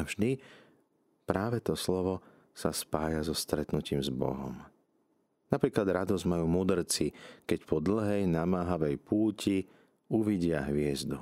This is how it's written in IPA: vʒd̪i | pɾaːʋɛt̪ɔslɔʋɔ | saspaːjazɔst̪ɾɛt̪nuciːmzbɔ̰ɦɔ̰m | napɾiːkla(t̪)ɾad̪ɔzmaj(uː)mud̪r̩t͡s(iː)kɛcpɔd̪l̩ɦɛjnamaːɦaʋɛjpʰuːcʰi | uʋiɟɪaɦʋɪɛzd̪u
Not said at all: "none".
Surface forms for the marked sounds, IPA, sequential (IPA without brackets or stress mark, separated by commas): d̪, uː, i